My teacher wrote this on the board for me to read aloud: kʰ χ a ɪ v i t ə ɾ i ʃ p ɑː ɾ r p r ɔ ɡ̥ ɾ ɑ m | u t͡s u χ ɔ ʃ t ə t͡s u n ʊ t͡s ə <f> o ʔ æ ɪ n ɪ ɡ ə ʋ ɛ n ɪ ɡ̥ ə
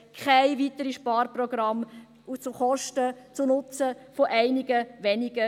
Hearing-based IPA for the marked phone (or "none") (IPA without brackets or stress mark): f